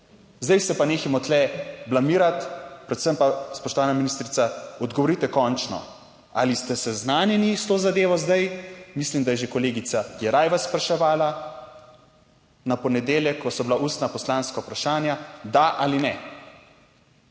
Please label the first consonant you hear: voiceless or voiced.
voiced